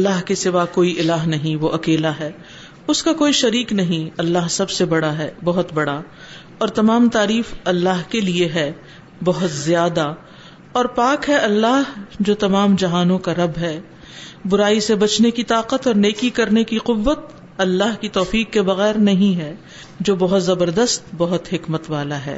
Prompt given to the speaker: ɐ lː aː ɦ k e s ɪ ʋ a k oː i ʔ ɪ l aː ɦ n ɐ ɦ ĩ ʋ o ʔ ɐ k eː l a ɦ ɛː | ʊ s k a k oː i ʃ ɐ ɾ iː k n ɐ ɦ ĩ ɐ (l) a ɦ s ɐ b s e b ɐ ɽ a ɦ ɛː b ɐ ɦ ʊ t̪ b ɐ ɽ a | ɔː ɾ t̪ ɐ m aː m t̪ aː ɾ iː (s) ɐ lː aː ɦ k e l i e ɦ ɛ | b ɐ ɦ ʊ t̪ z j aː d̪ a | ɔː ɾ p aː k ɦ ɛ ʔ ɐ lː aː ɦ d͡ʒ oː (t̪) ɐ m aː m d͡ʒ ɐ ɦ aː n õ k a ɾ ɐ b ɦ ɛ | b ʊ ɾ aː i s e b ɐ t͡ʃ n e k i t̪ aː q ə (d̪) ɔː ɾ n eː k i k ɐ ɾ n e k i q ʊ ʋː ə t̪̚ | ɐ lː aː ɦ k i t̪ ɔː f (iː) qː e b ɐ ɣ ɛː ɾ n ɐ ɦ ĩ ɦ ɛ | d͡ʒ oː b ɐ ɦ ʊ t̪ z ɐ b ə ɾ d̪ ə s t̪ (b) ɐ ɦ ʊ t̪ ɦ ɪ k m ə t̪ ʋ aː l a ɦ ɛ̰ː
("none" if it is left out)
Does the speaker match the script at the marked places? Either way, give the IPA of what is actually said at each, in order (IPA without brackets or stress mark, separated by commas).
lː, f, t̪, t̪, iː, b